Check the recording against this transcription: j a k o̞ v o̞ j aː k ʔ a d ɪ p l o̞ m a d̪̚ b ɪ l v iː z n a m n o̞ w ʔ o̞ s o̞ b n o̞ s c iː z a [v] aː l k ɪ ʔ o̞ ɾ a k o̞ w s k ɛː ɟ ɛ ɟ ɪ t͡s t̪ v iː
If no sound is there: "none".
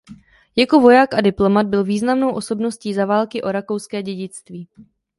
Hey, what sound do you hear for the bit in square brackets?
v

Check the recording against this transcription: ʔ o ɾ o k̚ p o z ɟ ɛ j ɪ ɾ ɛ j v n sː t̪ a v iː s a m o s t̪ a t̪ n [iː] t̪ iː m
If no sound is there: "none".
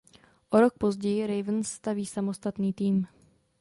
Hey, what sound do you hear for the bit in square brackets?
iː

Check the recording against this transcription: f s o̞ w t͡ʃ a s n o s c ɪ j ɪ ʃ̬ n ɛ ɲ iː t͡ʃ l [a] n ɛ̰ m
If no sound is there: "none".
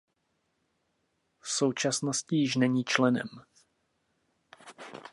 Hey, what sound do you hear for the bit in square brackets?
ɛ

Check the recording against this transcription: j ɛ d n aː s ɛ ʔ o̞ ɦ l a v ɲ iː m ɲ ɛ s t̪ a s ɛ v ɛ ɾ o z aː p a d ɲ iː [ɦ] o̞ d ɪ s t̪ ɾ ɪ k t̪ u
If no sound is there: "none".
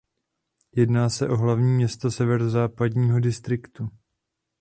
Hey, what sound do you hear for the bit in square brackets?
ɦ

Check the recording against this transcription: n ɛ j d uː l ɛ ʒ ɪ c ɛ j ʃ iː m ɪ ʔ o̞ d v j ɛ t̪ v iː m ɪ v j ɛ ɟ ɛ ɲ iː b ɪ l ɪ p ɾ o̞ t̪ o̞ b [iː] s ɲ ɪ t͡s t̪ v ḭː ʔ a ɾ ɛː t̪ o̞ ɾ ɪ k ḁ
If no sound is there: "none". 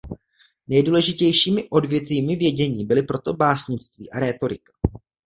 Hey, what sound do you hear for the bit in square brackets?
aː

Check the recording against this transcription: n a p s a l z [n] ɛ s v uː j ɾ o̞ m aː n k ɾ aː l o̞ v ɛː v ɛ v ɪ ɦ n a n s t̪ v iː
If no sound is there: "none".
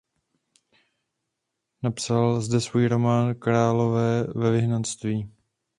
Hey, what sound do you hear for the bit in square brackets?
d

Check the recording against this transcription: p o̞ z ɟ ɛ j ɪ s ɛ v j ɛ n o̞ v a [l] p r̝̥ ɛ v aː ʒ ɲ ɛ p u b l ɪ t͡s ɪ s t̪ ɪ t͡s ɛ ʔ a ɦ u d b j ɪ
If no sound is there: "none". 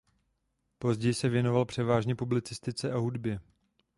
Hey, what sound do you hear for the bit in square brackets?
l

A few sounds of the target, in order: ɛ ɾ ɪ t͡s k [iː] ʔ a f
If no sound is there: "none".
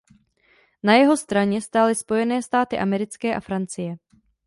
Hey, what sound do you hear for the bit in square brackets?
ɛː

